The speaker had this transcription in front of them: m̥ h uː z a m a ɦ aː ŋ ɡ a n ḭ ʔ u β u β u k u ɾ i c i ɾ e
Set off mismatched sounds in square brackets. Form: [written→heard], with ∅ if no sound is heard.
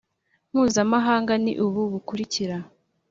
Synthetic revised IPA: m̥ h uː z a m a ɦ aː ŋ ɡ a n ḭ ʔ u β u β u k u ɾ i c i ɾ [e→a]